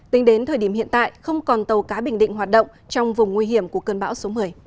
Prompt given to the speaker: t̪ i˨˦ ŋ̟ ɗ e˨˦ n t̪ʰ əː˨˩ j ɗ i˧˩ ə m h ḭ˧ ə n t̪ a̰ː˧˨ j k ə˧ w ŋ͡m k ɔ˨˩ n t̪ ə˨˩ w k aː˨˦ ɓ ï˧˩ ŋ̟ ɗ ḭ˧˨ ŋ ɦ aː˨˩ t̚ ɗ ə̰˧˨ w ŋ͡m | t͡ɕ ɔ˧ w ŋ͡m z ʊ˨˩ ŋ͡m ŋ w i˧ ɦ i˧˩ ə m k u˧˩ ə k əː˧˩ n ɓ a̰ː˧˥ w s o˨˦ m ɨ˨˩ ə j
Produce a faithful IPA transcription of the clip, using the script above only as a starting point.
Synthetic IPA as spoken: t̪ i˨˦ ŋ̟ ɗ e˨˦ n t̪ʰ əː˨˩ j ɗ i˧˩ ə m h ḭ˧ ə n t̪ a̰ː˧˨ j x ə˧ w ŋ͡m k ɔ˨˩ n t̪ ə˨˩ w k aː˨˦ ɓ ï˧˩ ŋ̟ ɗ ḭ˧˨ ŋ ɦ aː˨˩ t̚ ɗ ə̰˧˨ w ŋ͡m | t͡ɕ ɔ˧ w ŋ͡m v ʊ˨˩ ŋ͡m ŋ w i˧ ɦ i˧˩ ə m k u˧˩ ə k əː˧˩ n ɓ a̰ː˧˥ w s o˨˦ m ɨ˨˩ ə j